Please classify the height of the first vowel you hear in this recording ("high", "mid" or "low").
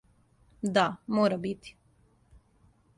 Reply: low